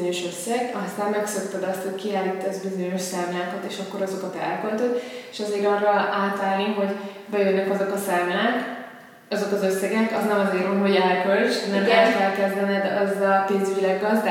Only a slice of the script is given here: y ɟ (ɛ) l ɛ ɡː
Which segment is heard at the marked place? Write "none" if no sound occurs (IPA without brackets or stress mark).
i